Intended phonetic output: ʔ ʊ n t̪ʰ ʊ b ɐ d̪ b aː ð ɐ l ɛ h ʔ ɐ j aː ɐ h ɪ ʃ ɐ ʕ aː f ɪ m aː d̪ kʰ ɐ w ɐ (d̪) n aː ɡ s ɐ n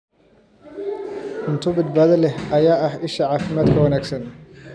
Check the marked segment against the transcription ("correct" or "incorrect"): incorrect